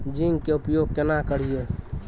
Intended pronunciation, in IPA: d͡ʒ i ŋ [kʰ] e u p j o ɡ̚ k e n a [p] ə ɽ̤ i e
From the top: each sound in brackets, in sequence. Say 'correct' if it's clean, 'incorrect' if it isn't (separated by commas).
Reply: incorrect, incorrect